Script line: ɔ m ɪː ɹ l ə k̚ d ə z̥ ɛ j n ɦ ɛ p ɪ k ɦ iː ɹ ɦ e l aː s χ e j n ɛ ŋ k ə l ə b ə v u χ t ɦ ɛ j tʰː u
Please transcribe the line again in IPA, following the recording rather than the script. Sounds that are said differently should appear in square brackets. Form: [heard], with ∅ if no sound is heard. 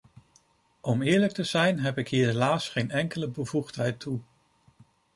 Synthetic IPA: ɔ m ɪː ɹ l ə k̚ [t] ə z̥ ɛ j n ɦ ɛ p ɪ k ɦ iː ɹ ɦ e l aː s χ e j n ɛ ŋ k ə l ə b ə v u χ t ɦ ɛ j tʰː u

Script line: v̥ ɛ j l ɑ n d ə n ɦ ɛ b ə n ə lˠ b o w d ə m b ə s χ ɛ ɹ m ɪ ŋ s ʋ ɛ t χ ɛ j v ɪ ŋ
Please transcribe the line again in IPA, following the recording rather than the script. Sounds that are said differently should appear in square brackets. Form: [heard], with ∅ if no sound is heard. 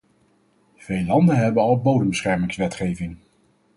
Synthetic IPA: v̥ [e] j l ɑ n d ə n ɦ ɛ b ə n [ɑ] lˠ b o w d ə m b ə s χ ɛ ɹ m ɪ ŋ s ʋ ɛ t χ [e] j v ɪ ŋ

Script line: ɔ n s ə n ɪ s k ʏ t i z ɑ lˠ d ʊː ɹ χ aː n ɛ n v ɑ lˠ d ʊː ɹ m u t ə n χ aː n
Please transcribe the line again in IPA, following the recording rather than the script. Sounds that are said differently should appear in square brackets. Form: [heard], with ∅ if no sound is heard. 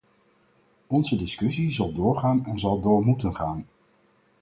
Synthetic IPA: ɔ n [z] ə [d] ɪ s k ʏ [s] i z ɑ lˠ d ʊː ɹ χ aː n ɛ n [z] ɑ lˠ d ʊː ɹ m u t ə n χ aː n

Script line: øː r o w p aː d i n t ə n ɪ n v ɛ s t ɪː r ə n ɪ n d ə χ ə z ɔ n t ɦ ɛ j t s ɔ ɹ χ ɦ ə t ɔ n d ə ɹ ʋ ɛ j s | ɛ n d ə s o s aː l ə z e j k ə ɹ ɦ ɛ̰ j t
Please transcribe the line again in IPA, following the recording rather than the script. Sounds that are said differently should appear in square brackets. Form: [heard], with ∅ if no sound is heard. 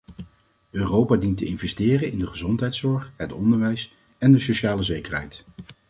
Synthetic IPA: øː r o w p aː d i n t ə [∅] ɪ n v ɛ s t ɪː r ə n ɪ n d ə χ ə z ɔ n t ɦ ɛ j t s ɔ ɹ χ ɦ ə t ɔ n d ə ɹ ʋ ɛ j s | ɛ n d ə s o [ʃ] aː l ə z e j k ə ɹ ɦ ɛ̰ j t

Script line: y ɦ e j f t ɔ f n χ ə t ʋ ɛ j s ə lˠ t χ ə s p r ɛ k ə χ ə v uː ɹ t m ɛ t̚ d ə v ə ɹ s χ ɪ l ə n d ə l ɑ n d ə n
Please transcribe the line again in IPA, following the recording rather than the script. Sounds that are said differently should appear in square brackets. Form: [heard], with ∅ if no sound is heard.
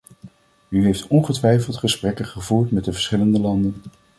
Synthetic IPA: y ɦ e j f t ɔ [∅] n χ ə t ʋ ɛ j [f] ə lˠ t χ ə s p r ɛ k ə χ ə v uː ɹ t m ɛ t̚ d ə v ə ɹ s χ ɪ l ə n d ə l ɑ n d ə n

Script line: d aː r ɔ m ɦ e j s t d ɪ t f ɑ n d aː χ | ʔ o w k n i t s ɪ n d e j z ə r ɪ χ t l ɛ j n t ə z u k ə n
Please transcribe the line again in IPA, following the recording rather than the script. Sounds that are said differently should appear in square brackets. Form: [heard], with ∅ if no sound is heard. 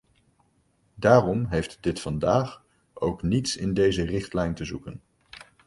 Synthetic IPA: d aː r ɔ m ɦ e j [f] t d ɪ t f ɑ n d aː χ | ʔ o w k n i t s ɪ n d e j z ə r ɪ χ t l ɛ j n t ə z u k ə n

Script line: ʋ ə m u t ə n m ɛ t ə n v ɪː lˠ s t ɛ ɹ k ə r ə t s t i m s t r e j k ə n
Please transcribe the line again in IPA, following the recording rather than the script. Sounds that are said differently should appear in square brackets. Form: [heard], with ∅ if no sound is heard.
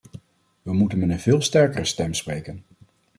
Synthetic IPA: ʋ ə m u t ə n m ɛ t ə n v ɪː lˠ s t ɛ ɹ k ə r ə [∅] s t [ɛ] m s [p] r e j k ə n

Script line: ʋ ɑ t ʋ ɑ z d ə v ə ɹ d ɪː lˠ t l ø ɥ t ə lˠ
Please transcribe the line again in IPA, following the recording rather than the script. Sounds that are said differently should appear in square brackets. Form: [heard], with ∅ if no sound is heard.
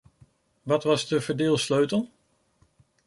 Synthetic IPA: ʋ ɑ t ʋ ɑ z d ə v ə ɹ d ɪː lˠ [s] l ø ɥ t ə lˠ

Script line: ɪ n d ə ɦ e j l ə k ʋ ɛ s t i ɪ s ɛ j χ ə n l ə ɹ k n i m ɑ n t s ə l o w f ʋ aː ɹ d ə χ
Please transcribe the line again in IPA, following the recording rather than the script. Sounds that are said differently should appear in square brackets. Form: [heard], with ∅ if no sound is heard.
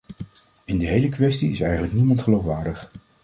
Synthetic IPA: ɪ n d ə ɦ e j l ə k ʋ ɛ s t i ɪ s ɛ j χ ə n l ə [∅] k n i m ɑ n t [χ] ə l o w f ʋ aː ɹ d ə χ

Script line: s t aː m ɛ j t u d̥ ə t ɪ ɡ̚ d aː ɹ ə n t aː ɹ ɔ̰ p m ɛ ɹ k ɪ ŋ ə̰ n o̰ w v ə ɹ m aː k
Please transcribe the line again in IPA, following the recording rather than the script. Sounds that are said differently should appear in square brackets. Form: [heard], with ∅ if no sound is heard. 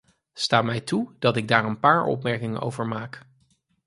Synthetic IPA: s t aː m ɛ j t u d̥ [ɑ] t ɪ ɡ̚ d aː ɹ ə n [p] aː ɹ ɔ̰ p m ɛ ɹ k ɪ ŋ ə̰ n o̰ w v ə ɹ m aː k

